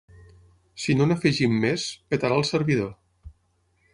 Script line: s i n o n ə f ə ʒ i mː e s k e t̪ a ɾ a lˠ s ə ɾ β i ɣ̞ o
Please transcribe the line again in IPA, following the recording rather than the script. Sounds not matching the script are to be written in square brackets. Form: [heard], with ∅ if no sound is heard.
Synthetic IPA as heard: s i n o n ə f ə ʒ i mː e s [p] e t̪ a ɾ a lˠ s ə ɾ β i [ð̞] o